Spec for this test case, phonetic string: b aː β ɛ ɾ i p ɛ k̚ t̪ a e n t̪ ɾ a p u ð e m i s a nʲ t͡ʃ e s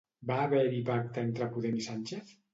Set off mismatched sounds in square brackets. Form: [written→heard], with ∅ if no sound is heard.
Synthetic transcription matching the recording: b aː β ɛ ɾ i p [ɛ→a] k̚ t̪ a e n t̪ ɾ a p u ð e m i s a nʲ t͡ʃ e [s→θ]